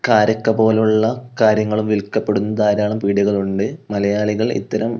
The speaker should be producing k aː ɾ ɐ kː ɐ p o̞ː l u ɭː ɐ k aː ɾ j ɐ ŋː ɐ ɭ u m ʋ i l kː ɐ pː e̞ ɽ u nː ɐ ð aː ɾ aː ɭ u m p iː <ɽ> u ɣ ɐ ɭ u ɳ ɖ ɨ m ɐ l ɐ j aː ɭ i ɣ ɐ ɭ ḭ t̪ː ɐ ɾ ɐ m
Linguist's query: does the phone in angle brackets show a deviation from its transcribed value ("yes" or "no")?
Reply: no